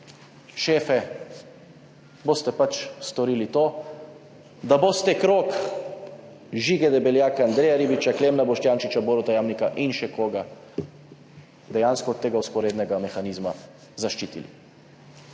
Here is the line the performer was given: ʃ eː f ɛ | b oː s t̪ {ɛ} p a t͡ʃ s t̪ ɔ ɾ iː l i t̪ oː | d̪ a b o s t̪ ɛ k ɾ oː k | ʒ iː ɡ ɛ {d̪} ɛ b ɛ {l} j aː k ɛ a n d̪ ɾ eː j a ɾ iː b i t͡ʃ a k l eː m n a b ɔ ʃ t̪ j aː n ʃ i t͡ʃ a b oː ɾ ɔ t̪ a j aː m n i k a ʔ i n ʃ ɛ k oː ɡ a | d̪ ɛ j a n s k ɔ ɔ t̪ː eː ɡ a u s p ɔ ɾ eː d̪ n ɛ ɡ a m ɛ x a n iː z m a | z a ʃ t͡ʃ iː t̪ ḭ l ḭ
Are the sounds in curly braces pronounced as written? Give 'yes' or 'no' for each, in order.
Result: yes, yes, yes

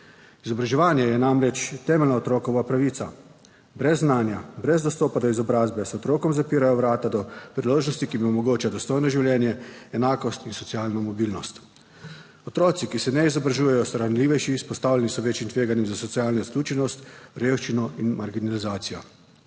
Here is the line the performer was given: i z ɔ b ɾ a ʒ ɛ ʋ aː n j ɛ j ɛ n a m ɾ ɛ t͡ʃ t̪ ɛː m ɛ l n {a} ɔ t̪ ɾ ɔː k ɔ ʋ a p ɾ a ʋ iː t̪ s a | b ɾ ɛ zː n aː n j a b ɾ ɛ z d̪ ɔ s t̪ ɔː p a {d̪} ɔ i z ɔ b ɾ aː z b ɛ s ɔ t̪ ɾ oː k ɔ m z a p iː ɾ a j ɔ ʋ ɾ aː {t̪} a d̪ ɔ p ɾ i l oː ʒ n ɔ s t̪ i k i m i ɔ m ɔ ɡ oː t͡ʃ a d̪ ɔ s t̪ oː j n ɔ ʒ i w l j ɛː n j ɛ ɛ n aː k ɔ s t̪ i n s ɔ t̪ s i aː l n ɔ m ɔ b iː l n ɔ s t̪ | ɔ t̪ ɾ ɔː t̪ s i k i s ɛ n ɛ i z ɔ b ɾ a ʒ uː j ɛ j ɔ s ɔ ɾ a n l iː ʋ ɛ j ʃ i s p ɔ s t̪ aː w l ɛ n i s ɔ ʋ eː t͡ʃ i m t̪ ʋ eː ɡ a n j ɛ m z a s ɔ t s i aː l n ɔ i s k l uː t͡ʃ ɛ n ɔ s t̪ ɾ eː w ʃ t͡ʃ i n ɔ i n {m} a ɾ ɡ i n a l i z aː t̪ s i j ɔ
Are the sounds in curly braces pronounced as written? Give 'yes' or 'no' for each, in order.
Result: yes, yes, yes, yes

